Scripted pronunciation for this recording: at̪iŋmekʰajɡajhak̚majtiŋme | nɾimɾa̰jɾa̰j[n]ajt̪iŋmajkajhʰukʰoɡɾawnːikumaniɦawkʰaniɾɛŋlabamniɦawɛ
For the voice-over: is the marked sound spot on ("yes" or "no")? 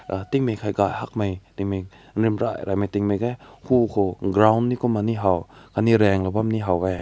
no